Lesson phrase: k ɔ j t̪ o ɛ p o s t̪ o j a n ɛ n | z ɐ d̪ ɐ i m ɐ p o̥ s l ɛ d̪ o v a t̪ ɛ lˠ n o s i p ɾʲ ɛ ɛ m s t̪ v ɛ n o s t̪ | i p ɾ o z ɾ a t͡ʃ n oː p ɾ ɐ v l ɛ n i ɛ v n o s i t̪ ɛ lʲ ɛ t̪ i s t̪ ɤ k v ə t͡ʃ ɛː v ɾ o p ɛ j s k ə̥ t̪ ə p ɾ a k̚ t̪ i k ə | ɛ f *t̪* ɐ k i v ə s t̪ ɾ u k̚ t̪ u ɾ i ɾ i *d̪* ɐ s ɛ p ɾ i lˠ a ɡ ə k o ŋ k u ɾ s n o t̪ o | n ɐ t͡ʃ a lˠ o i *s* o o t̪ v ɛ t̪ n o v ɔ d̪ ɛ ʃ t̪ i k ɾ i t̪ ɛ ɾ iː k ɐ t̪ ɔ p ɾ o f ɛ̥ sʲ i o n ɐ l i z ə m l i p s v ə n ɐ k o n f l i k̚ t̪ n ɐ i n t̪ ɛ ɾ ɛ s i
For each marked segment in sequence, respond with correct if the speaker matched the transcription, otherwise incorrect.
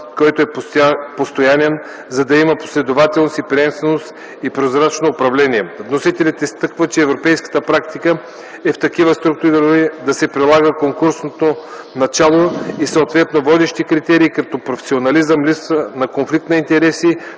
correct, correct, correct

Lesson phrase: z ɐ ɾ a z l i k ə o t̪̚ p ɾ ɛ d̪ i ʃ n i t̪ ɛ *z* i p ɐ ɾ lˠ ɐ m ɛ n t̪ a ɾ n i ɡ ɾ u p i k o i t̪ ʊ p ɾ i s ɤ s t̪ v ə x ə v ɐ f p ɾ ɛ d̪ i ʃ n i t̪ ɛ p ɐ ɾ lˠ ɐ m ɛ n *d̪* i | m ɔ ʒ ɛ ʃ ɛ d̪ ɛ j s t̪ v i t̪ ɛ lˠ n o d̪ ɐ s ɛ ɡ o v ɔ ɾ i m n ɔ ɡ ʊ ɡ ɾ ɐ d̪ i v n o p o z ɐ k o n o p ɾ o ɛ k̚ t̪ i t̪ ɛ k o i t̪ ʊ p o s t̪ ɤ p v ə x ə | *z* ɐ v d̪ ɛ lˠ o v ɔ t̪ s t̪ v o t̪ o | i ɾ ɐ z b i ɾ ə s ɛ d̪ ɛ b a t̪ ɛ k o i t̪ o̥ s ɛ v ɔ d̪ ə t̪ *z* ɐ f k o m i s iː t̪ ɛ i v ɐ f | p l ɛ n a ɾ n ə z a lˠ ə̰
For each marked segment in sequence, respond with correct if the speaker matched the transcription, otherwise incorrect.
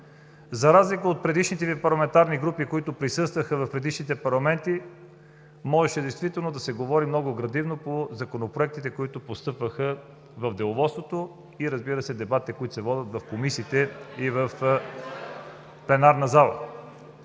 incorrect: v, incorrect: t̪, incorrect: v, incorrect: v

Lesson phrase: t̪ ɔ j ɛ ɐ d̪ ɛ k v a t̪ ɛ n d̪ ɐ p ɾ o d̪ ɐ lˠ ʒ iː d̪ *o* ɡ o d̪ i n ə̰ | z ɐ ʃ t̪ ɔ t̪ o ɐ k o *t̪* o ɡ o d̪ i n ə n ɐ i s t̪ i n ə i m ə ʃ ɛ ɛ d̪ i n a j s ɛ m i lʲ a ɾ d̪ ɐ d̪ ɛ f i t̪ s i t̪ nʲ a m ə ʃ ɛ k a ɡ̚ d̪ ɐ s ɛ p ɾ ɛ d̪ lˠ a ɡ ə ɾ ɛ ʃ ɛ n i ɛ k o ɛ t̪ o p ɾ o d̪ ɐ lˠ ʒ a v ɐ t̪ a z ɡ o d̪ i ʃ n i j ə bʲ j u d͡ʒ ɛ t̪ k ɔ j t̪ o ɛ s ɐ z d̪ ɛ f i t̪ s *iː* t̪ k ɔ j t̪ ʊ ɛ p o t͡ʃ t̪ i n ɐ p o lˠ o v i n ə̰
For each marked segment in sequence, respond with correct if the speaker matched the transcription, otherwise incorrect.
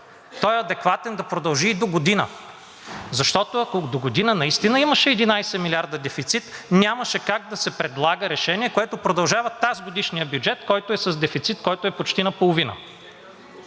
correct, incorrect: d̪, incorrect: i

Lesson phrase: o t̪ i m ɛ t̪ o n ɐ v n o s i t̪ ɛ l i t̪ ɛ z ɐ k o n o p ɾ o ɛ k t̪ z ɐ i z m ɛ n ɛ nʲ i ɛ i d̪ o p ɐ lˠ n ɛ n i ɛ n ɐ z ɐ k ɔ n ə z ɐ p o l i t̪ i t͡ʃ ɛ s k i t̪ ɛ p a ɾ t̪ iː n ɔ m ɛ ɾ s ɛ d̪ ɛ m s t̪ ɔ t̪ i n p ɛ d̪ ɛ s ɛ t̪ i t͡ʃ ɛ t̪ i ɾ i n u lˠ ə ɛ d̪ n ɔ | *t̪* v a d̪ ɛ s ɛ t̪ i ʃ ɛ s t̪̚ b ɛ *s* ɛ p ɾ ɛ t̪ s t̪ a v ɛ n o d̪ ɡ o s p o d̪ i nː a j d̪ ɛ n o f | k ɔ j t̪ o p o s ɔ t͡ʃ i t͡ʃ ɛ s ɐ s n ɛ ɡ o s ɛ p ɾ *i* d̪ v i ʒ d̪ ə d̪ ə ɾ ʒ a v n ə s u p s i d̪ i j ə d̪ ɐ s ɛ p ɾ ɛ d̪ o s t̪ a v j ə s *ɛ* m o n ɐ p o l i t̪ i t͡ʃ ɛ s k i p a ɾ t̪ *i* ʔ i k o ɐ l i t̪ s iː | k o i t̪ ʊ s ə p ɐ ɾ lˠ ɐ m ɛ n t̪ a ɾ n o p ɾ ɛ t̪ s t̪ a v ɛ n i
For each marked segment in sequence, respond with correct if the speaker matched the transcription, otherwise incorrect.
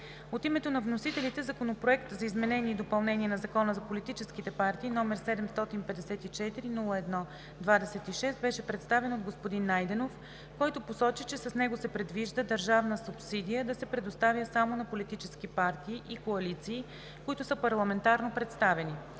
incorrect: d̪, incorrect: ʃ, incorrect: ɛ, incorrect: a, incorrect: iː

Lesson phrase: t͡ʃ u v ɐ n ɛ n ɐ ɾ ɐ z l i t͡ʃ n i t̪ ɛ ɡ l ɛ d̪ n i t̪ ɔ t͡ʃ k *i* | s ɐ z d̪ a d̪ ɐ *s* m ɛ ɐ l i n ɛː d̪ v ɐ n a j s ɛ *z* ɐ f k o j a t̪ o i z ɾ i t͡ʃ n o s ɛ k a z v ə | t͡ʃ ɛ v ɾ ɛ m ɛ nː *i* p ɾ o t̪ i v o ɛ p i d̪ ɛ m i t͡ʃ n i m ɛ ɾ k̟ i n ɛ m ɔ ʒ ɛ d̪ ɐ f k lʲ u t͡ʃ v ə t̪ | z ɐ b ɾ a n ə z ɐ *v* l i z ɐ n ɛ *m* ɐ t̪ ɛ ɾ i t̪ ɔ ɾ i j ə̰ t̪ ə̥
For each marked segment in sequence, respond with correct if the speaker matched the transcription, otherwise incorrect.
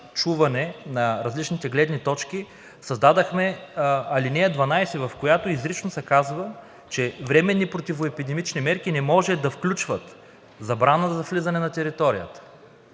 correct, incorrect: x, incorrect: v, correct, incorrect: f, incorrect: n

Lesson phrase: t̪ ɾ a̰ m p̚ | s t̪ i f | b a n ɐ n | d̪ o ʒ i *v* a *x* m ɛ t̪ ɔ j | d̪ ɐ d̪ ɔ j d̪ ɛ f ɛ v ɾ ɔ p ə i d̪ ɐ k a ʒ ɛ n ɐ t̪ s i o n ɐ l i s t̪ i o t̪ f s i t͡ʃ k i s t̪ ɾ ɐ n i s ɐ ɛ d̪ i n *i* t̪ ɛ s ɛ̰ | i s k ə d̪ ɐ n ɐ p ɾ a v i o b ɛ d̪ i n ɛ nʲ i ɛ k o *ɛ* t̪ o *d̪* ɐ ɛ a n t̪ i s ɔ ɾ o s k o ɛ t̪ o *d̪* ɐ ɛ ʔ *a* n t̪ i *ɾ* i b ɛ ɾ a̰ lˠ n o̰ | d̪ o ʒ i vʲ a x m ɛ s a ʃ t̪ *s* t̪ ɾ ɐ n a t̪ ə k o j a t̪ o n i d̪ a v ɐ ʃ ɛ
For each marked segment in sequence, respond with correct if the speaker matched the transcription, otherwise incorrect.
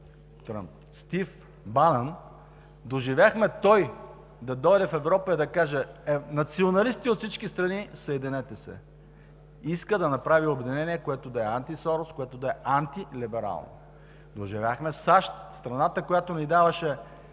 correct, correct, incorrect: ɛ, correct, correct, correct, correct, incorrect: l, correct

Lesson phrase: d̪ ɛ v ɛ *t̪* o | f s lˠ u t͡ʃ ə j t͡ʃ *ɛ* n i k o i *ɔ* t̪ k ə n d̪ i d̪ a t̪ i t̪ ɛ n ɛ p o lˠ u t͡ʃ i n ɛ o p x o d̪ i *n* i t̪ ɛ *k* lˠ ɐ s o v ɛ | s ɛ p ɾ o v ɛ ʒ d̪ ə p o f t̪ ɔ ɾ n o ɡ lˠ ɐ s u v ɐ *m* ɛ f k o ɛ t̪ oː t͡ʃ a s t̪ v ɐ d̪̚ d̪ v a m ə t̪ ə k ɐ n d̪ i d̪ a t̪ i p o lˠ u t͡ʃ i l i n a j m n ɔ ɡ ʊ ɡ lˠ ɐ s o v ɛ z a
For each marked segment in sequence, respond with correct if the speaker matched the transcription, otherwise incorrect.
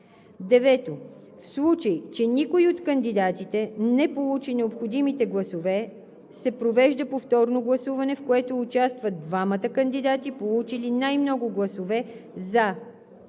correct, correct, incorrect: o, incorrect: m, incorrect: ɡ, incorrect: n

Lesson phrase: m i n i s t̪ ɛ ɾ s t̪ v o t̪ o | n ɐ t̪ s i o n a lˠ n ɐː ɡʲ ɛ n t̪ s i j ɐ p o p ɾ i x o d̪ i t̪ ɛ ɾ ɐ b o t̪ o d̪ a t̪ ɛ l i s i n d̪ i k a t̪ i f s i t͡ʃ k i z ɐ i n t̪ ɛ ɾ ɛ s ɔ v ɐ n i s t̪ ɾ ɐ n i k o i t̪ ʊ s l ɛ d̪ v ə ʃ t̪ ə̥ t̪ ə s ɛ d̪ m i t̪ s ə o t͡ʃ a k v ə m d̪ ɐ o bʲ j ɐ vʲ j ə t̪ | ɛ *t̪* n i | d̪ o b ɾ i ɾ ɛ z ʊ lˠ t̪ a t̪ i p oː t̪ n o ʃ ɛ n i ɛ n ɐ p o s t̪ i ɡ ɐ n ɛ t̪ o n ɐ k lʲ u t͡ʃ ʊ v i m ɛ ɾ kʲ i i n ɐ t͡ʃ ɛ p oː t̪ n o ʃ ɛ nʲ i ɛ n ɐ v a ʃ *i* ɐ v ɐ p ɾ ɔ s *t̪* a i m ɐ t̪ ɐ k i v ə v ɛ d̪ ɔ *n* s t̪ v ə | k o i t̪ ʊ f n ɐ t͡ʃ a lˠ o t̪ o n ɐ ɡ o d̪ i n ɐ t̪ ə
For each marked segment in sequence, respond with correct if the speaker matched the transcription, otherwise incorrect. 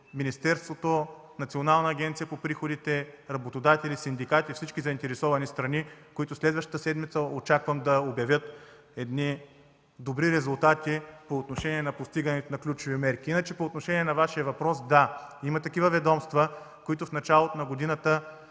incorrect: d̪, correct, incorrect: d̪, incorrect: m

